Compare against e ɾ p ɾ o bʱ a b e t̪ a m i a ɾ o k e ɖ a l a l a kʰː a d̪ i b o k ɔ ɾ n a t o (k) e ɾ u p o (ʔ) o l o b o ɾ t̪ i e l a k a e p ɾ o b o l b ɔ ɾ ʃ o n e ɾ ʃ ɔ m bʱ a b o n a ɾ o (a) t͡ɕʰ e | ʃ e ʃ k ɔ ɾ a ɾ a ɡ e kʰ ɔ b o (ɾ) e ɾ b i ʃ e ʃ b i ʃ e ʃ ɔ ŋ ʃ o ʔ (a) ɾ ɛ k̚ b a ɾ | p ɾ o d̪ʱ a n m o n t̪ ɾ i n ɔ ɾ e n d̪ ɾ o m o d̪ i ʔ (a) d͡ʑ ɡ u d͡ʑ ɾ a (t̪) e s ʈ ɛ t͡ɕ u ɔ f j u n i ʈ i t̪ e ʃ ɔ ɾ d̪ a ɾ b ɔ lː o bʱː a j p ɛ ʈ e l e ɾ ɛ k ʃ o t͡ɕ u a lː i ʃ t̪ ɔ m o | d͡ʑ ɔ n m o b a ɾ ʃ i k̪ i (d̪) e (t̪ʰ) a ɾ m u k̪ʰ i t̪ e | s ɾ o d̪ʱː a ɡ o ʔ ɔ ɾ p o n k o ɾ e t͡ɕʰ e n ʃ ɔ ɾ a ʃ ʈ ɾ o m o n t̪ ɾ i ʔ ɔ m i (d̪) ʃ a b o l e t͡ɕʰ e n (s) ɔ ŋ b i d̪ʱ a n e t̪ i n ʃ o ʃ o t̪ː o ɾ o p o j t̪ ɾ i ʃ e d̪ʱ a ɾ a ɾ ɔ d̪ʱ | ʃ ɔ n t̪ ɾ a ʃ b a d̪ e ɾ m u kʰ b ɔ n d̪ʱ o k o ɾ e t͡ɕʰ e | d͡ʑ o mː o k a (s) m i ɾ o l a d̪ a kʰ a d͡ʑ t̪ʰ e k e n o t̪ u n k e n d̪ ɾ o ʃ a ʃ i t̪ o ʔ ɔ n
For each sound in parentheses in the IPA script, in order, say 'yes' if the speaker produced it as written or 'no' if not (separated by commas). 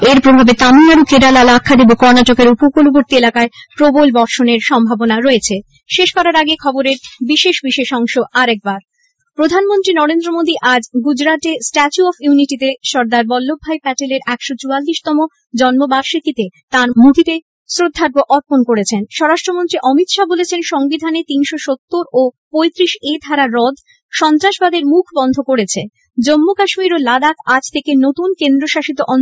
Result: yes, no, no, yes, yes, yes, yes, no, no, no, no, no